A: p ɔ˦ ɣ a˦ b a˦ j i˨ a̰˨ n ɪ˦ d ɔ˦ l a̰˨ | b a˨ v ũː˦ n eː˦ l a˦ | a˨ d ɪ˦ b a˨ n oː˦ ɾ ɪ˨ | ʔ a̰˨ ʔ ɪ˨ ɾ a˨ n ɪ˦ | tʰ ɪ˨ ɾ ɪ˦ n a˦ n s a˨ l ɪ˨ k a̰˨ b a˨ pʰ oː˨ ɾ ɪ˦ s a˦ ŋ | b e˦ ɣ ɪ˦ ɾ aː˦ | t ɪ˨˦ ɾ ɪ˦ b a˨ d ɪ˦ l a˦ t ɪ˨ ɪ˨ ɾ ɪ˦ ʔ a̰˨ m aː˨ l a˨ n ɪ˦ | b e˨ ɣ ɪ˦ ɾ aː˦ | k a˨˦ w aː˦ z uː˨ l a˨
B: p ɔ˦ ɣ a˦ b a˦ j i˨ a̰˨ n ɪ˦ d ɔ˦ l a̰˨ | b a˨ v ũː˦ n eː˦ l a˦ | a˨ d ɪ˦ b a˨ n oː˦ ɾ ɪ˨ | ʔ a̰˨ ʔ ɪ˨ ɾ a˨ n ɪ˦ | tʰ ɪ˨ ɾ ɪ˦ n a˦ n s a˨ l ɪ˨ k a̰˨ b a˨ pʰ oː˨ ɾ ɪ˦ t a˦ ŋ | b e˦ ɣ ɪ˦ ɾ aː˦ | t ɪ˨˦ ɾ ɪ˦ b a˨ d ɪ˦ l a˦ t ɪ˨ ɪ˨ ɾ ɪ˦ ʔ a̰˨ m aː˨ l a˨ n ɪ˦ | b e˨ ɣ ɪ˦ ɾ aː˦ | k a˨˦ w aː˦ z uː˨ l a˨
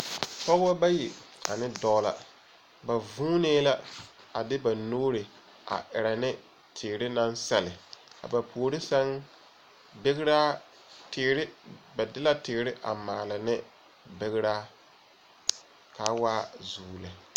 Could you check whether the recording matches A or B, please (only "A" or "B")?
A